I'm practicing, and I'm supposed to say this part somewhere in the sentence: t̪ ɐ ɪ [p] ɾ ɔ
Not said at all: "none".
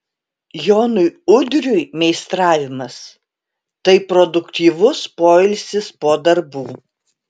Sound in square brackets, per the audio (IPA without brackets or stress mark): p